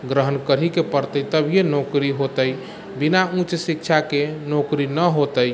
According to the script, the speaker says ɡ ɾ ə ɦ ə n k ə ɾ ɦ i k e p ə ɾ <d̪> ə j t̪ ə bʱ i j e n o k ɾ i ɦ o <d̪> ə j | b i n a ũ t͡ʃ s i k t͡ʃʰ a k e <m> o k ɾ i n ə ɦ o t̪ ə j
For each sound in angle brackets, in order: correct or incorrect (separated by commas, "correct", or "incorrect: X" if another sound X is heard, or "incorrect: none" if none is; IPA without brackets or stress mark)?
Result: incorrect: t̪, incorrect: t̪, incorrect: n